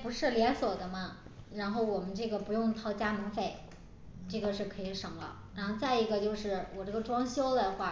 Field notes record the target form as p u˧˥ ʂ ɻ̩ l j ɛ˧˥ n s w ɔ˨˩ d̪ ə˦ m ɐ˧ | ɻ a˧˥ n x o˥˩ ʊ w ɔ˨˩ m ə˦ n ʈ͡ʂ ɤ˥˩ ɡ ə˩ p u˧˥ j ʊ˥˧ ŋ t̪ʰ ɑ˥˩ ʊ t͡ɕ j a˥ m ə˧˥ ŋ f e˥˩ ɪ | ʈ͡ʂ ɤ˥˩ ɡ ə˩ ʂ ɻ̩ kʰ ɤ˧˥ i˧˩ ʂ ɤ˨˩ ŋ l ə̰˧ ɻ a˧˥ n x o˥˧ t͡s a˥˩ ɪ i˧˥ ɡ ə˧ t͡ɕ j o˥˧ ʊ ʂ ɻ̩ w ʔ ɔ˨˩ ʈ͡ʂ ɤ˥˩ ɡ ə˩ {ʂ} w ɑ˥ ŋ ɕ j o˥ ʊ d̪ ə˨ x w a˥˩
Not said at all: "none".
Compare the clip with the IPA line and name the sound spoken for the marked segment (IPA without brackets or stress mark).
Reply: ʈ͡ʂ